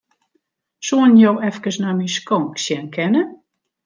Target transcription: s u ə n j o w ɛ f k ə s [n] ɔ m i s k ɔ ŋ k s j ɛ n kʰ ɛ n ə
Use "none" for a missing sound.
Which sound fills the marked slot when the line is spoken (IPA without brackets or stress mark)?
n